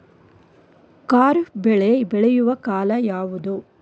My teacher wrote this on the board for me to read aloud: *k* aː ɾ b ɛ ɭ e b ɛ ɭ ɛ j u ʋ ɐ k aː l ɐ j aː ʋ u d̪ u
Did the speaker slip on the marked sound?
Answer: no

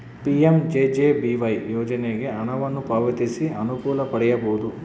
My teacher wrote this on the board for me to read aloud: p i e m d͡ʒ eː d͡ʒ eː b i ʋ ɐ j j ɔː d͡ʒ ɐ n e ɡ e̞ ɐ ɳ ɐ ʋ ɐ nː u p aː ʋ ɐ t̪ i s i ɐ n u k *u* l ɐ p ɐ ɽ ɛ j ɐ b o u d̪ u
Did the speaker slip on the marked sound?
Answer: yes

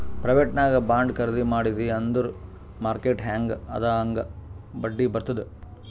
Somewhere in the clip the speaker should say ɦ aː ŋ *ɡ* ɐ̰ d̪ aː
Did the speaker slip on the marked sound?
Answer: no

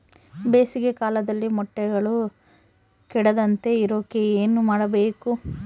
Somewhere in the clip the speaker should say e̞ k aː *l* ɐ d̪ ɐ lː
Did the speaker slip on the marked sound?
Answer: no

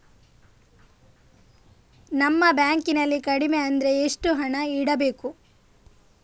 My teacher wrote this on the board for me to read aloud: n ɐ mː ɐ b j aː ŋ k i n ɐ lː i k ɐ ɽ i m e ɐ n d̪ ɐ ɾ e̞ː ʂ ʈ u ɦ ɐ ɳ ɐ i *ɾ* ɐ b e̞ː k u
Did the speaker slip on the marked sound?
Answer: yes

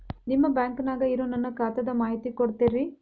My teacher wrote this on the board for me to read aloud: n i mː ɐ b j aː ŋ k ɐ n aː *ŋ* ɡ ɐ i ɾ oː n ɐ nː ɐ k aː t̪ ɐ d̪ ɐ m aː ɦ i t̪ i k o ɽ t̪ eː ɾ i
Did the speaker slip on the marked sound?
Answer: yes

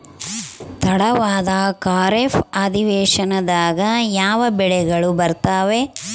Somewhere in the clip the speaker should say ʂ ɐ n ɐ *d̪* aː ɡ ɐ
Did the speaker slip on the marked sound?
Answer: no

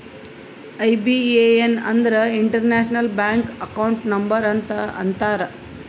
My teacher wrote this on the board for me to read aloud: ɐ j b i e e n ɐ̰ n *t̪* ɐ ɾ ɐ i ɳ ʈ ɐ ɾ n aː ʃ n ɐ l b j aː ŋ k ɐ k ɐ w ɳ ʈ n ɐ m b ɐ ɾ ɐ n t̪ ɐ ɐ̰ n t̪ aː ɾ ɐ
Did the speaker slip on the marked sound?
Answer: yes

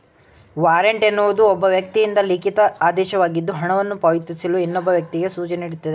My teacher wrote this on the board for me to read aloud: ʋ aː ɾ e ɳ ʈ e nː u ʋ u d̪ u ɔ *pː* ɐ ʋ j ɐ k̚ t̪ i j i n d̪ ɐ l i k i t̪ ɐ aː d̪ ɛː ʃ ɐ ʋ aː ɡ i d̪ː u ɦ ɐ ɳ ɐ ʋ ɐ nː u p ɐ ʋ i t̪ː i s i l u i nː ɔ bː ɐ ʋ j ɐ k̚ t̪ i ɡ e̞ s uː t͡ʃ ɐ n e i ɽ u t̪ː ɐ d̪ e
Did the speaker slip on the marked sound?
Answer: yes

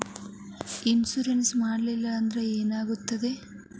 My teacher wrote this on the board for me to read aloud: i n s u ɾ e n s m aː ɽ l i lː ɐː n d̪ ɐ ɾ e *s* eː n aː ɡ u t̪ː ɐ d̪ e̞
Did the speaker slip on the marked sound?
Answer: yes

